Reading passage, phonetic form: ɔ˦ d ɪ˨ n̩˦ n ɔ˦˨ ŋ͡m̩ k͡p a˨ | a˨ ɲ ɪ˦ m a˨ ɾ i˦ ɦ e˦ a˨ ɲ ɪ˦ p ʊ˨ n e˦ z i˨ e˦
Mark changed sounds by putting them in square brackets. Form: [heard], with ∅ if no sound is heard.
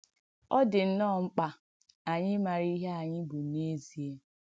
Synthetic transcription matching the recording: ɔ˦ d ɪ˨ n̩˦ n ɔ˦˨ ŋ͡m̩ k͡p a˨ | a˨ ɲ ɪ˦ m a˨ ɾ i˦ ɦ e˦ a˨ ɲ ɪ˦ [b] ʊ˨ n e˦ z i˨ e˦

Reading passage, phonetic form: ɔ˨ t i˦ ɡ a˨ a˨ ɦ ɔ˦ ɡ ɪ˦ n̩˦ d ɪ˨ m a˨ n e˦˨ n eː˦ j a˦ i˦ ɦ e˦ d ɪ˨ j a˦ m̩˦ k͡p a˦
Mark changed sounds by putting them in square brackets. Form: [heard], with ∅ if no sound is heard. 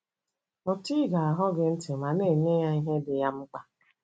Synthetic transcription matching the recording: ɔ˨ t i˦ ɡ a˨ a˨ ɦ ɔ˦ ɡ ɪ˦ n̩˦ [t] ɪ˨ m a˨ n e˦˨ n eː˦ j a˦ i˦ ɦ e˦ d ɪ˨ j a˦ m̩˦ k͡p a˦

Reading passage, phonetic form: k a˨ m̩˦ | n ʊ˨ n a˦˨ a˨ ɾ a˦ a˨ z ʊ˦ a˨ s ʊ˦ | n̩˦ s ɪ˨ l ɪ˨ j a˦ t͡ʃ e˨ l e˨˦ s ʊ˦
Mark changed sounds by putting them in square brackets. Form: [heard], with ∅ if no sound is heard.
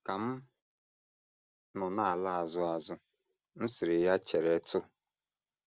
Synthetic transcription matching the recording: k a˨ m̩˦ | n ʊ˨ n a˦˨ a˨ [l] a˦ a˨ z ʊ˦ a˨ [z] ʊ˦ | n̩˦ s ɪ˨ [ɾ] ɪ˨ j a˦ t͡ʃ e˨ [ɾ] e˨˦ [t] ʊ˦

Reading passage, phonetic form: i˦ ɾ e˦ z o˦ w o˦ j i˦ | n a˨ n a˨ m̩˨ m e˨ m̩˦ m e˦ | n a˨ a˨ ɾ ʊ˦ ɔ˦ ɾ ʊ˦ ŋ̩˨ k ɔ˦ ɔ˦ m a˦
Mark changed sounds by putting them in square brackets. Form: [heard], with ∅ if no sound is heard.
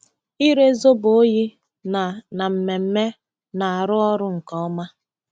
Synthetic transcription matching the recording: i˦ ɾ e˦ z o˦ [b] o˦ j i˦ | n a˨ n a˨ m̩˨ m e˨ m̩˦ m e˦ | n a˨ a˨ ɾ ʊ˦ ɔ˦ ɾ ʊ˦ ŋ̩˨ k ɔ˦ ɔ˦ m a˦

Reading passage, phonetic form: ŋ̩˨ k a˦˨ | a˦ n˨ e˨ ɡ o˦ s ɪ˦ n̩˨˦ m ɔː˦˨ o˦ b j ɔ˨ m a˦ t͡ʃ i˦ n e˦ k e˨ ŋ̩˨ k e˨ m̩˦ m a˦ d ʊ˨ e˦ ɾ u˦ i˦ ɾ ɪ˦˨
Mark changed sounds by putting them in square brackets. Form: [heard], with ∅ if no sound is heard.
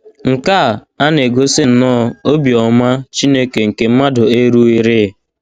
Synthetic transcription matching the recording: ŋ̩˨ k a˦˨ | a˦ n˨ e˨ ɡ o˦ s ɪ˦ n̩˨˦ [n] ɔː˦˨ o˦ b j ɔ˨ m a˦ t͡ʃ i˦ n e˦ k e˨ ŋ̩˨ k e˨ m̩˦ m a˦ d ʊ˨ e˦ ɾ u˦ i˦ ɾ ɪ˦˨

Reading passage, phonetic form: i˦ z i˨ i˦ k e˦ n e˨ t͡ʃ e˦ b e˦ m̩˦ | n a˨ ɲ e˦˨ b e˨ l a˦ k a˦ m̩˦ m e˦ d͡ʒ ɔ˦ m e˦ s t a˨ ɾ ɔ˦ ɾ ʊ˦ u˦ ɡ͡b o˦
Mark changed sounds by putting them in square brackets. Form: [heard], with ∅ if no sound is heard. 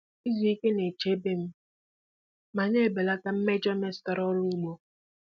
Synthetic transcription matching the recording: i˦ z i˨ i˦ k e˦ n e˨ t͡ʃ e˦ b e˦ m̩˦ | [m] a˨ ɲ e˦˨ b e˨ l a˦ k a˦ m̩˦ m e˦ d͡ʒ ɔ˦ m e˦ s t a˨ ɾ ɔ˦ ɾ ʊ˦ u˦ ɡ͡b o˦

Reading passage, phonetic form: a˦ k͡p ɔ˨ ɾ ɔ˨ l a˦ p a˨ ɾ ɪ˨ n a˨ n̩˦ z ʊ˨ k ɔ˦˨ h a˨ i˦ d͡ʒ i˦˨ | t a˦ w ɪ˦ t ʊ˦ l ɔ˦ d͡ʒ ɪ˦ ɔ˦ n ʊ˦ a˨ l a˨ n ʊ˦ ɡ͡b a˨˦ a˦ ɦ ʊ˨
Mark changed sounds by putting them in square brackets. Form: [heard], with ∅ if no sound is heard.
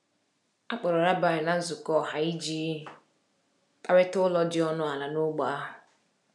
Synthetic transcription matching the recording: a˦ k͡p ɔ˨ ɾ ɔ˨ [ɾ] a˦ [b] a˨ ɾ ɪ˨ n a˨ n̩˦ z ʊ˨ k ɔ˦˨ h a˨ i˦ d͡ʒ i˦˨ | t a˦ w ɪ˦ t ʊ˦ l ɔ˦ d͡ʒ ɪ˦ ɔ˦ n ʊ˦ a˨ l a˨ n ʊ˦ ɡ͡b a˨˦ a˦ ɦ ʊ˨

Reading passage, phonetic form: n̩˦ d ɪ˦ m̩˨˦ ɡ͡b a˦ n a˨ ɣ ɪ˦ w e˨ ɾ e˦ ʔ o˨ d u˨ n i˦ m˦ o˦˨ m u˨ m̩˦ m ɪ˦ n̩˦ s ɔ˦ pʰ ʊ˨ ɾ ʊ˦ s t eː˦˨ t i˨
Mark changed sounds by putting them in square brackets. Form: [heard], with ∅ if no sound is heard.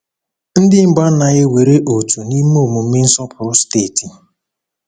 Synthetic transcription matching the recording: n̩˦ d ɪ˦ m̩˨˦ ɡ͡b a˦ n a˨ ɣ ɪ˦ w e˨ ɾ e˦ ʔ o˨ [t] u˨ n i˦ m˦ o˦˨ m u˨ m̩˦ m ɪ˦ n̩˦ s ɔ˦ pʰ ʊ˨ ɾ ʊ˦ s t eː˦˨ t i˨

